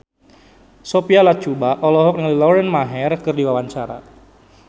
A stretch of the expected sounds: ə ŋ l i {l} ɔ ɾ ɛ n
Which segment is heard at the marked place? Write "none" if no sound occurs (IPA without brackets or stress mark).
l